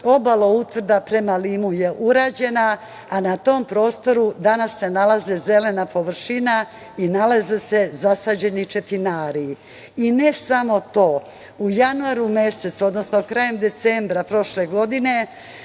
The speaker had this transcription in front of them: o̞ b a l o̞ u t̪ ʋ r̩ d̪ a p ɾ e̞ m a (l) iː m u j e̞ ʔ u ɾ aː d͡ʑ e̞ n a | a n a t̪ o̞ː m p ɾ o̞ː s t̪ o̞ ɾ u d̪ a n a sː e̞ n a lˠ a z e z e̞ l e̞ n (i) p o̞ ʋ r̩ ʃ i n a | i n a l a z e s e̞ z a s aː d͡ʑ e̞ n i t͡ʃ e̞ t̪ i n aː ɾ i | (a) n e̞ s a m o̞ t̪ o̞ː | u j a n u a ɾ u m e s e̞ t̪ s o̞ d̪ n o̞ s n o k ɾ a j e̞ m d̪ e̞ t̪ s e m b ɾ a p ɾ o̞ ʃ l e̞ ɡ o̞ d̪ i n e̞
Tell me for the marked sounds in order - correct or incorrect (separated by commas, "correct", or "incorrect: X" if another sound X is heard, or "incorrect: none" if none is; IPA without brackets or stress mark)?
correct, incorrect: a, incorrect: i